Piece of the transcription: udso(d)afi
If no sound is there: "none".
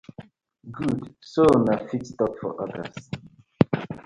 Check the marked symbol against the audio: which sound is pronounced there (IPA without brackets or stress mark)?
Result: n